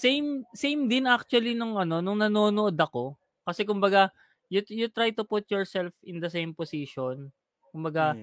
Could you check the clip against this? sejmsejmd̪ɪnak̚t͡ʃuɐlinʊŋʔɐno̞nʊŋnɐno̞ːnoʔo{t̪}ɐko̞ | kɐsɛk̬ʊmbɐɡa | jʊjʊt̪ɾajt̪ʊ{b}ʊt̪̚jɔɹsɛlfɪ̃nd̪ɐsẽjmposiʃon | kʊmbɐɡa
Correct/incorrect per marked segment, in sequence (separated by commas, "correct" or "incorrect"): incorrect, incorrect